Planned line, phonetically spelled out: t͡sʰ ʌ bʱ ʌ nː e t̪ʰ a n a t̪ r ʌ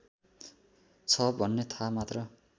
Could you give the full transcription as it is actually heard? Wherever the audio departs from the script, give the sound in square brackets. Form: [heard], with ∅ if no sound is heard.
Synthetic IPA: t͡sʰ ʌ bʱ ʌ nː e t̪ʰ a [m] a t̪ r ʌ